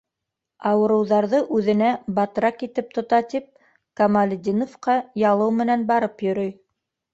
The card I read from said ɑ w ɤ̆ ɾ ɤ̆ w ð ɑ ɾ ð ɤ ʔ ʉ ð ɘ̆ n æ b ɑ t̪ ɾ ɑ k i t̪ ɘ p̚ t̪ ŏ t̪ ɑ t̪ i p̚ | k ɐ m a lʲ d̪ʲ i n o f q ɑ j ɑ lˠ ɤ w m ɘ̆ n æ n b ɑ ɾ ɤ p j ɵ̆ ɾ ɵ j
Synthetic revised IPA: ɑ w ɤ̆ ɾ ɤ̆ w ð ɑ ɾ ð ɤ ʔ ʉ ð ɘ̆ n æ b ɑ t̪ ɾ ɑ k i t̪ ɘ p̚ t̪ ŏ t̪ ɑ t̪ i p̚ | k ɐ m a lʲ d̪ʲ i n o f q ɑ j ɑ lˠ ɤ w m ɘ̆ n æ n b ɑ ɾ ɤ p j ɵ̆ ɾ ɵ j